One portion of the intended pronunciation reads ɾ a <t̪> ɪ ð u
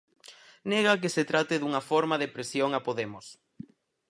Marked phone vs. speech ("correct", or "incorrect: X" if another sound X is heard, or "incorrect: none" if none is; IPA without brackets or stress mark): correct